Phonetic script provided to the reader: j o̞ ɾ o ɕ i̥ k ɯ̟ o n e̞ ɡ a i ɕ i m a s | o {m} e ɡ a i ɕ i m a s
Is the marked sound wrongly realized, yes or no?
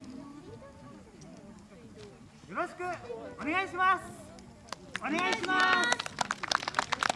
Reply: yes